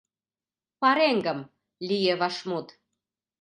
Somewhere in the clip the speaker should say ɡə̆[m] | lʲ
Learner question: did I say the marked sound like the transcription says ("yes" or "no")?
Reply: yes